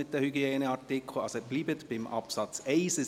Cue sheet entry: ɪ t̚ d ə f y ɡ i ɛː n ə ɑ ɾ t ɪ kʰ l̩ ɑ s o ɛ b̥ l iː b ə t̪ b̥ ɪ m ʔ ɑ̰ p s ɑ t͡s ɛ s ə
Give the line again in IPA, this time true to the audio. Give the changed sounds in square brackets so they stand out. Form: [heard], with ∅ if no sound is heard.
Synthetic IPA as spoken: ɪ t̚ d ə [h] y ɡ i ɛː n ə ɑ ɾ t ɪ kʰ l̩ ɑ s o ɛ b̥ l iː b ə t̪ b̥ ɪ m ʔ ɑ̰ p s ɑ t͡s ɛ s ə